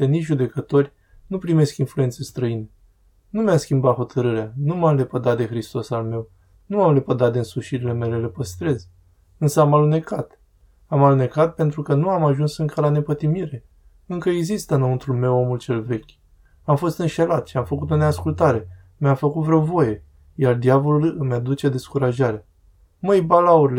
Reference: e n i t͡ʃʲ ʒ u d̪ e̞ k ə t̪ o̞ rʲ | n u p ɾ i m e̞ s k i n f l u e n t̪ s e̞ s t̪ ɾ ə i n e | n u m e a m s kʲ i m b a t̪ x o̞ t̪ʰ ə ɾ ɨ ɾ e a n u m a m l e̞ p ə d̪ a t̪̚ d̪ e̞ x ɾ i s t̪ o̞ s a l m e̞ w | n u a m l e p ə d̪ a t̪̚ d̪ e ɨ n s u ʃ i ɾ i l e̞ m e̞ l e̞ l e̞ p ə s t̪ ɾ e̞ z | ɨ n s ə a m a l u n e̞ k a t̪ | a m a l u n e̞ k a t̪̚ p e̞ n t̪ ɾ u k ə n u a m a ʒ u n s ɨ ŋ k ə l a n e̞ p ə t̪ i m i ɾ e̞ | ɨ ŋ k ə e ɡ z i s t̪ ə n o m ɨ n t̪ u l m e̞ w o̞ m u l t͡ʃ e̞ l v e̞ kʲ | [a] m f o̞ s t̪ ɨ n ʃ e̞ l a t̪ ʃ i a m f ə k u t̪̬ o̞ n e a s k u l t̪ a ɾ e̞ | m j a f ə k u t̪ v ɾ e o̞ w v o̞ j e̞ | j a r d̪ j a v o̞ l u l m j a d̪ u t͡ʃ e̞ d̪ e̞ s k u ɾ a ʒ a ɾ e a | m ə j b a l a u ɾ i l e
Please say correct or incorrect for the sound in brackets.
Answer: correct